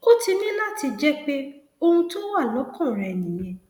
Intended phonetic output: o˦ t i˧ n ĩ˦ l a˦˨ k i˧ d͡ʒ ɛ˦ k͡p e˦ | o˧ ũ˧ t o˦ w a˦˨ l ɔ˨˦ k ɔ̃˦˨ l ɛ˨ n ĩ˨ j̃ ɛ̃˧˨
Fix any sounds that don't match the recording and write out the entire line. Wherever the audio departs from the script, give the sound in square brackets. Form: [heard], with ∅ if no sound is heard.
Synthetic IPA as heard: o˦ t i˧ n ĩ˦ l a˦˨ [t] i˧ d͡ʒ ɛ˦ k͡p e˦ | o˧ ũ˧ t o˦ w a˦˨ l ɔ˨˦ k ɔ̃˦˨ [ɾ] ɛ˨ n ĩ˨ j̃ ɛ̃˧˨